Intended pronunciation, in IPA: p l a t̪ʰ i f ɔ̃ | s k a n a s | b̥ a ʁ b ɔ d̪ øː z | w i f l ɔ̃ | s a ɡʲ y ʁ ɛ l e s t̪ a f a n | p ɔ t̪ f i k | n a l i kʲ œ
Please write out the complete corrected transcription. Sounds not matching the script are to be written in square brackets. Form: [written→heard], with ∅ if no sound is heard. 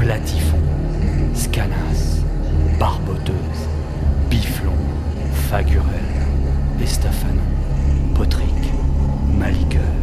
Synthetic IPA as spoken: p l a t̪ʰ i f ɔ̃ | s k a n a s | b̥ a ʁ b ɔ [d̪→t̪] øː z | [w→b] i f l ɔ̃ | [s→f] a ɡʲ y ʁ ɛ l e s t̪ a f a n | p ɔ t̪ [f→χ] i k | [n→m] a l i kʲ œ